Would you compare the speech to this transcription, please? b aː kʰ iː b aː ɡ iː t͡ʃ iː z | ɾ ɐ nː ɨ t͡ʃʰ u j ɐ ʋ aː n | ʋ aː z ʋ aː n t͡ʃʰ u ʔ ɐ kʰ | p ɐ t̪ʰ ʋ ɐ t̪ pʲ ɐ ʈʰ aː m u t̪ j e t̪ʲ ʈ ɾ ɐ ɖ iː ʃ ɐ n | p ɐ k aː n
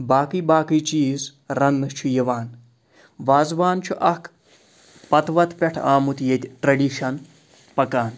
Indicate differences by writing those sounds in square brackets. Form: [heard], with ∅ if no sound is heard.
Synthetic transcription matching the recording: b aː [k] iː b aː [k] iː t͡ʃ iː z | ɾ ɐ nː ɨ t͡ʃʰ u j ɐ ʋ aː n | ʋ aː z ʋ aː n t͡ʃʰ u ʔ ɐ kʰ | p ɐ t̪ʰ ʋ ɐ t̪ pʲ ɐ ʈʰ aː m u t̪ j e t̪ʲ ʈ ɾ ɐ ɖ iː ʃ ɐ n | p ɐ k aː n